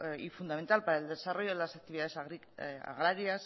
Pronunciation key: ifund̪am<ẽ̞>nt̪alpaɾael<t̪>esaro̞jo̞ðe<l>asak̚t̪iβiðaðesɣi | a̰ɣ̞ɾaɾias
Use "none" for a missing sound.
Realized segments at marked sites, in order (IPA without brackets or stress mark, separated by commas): e̞, d̪, l